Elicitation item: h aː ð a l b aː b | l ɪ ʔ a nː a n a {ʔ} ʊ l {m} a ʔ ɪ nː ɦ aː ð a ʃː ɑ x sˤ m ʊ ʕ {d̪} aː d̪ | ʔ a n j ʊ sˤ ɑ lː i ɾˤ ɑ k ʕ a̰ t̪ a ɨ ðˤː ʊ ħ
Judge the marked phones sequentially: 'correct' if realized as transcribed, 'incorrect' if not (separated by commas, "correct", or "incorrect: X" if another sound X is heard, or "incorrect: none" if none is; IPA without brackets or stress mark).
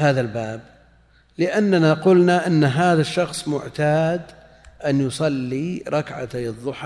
incorrect: q, incorrect: n, incorrect: t̪